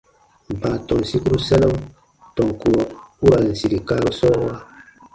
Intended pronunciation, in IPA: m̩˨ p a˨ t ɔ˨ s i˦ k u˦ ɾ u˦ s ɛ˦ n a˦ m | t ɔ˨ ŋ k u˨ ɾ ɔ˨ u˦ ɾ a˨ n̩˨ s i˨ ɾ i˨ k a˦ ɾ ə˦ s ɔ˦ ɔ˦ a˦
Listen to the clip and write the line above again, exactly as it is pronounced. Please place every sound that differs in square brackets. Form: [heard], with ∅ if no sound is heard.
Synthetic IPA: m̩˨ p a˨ t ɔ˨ s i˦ k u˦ ɾ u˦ s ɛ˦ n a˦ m | t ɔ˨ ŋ k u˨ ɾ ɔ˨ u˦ ɾ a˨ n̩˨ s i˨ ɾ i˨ k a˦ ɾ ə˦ s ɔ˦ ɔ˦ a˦